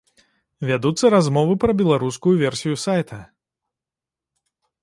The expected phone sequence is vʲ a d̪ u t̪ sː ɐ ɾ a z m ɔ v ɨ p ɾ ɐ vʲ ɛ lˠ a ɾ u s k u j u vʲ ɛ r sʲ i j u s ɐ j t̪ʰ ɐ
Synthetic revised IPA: vʲ a d̪ u t̪ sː ɐ ɾ a z m ɔ v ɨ p ɾ ɐ bʲ ɛ lˠ a ɾ u s k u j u vʲ ɛ r sʲ i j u s a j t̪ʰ ɐ